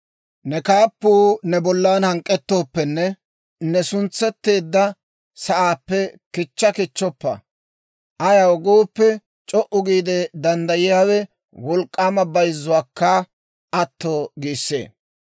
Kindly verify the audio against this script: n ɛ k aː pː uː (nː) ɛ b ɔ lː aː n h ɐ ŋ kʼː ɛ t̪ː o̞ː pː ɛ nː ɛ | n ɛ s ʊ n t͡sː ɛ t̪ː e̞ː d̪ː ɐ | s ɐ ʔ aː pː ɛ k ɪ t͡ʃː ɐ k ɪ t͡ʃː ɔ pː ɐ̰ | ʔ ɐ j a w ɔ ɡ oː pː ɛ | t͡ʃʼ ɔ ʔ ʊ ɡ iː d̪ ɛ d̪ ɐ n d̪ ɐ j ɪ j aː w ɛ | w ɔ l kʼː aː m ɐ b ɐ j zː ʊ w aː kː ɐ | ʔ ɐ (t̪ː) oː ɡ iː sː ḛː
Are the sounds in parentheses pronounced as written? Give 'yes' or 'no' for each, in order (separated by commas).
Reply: no, yes